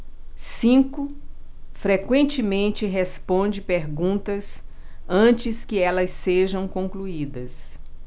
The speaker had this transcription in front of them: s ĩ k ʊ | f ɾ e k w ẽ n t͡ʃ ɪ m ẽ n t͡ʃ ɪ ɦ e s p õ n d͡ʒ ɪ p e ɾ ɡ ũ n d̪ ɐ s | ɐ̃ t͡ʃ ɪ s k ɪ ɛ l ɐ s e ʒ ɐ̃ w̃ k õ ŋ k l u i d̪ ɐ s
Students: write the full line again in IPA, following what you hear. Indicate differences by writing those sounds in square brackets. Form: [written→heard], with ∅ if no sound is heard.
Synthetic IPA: s ĩ k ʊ | f ɾ e k w ẽ n t͡ʃ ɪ m ẽ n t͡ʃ ɪ ɦ e s p õ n d͡ʒ ɪ p e ɾ ɡ ũ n [d̪→t̪] ɐ s | ɐ̃ t͡ʃ ɪ s k ɪ ɛ l ɐ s e ʒ ɐ̃ w̃ k õ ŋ k l u i d̪ ɐ s